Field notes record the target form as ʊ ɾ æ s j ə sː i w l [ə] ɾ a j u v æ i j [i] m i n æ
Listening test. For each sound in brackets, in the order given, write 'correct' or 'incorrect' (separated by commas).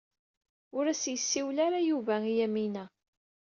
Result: incorrect, incorrect